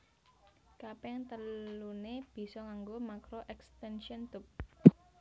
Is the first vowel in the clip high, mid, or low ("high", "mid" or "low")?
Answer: low